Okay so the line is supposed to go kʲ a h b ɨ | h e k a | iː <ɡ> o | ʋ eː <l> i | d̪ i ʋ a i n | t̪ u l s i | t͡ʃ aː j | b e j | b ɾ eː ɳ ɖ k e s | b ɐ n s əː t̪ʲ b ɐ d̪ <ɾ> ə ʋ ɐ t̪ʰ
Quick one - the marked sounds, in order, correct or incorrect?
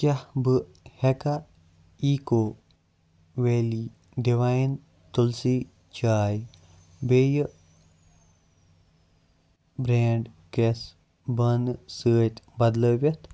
incorrect, correct, incorrect

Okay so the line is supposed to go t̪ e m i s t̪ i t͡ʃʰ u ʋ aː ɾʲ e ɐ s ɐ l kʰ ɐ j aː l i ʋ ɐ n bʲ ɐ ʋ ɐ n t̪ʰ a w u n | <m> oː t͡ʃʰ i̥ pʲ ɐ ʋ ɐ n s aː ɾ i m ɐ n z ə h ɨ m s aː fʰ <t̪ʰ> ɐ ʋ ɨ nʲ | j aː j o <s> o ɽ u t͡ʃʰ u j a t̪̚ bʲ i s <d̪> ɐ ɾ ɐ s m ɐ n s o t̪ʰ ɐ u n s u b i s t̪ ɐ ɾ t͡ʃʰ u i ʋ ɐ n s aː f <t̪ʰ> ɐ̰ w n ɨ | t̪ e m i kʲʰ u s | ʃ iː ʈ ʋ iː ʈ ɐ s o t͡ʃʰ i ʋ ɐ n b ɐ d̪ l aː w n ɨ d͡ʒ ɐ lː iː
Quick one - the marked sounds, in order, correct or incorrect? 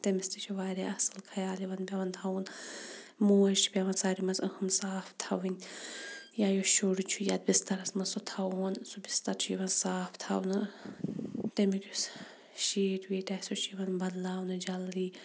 correct, correct, incorrect, incorrect, correct

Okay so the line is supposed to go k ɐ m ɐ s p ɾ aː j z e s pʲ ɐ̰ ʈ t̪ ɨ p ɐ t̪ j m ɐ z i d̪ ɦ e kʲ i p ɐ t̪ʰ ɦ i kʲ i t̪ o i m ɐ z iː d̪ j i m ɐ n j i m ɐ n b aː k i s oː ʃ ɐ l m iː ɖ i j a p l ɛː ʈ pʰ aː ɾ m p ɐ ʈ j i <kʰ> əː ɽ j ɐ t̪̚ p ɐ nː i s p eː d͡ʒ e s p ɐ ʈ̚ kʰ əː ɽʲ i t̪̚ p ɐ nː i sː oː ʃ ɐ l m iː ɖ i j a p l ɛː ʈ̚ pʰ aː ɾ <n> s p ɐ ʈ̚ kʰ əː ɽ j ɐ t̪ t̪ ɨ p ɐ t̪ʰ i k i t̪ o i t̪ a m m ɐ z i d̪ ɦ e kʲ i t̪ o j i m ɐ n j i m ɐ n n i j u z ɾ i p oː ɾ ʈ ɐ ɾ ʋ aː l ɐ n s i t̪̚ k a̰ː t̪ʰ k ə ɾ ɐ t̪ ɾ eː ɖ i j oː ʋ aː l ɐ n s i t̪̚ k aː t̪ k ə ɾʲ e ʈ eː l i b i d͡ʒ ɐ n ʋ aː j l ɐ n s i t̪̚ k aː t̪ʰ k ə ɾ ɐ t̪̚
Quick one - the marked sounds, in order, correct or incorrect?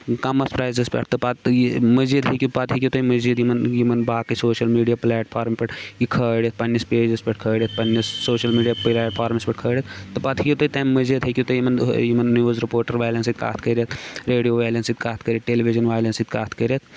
correct, incorrect

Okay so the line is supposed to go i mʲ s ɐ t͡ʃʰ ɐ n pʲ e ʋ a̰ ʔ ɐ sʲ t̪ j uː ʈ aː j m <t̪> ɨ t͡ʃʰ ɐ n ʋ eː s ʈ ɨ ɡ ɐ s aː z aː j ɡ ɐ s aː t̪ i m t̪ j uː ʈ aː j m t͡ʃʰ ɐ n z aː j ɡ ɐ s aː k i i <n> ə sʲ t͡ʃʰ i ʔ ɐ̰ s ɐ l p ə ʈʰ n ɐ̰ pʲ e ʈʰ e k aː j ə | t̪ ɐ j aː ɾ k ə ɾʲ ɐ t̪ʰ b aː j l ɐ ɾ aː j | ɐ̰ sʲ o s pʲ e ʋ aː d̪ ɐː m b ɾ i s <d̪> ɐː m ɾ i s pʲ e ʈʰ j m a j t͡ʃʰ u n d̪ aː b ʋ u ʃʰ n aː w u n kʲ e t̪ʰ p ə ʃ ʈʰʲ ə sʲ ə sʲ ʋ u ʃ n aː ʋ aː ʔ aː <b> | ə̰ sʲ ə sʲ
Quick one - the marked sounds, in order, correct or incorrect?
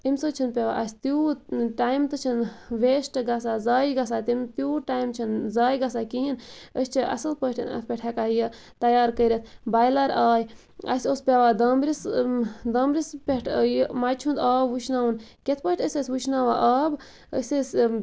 correct, correct, correct, correct

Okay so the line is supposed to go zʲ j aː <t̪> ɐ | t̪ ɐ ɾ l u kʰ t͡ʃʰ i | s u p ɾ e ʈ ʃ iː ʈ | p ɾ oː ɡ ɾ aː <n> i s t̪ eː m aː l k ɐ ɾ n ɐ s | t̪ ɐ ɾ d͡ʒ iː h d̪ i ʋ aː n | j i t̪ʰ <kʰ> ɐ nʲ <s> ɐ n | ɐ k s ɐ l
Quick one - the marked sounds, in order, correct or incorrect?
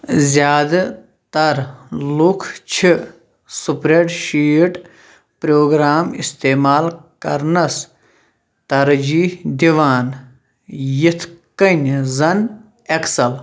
incorrect, incorrect, incorrect, incorrect

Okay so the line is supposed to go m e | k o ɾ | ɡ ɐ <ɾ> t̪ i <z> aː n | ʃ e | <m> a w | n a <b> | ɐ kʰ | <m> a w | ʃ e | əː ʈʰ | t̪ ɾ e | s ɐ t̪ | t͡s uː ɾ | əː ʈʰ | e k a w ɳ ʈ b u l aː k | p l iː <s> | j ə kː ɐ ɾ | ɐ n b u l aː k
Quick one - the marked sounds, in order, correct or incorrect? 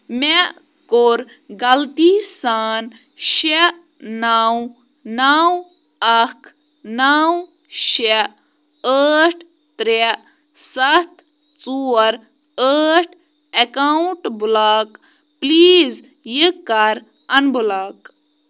incorrect, incorrect, incorrect, incorrect, incorrect, incorrect

